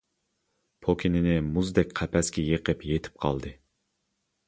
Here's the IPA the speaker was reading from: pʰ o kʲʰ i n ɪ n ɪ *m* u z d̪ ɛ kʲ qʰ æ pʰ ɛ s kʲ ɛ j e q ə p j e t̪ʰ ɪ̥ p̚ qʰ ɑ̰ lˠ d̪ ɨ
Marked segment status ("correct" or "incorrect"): correct